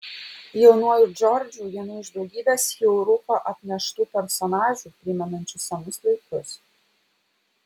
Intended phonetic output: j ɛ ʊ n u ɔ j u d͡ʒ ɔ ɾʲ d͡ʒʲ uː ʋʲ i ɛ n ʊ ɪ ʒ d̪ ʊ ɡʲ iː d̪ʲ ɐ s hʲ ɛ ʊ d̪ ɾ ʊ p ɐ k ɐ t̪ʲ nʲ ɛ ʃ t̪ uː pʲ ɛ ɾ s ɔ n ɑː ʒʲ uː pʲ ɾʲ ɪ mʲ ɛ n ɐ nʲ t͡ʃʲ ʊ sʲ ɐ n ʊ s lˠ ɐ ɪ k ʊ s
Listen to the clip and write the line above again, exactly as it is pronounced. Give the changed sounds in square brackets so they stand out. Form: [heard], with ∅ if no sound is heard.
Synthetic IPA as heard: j ɛ ʊ n u ɔ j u d͡ʒ ɔ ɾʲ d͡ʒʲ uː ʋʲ i ɛ n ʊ ɪ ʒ d̪ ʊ ɡʲ iː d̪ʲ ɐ s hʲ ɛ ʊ [∅] ɾ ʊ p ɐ [ʔ] ɐ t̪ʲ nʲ ɛ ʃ t̪ uː pʲ ɛ ɾ s ɔ n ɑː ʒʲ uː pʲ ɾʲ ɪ mʲ ɛ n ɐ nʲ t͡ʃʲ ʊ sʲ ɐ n ʊ s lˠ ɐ ɪ k ʊ s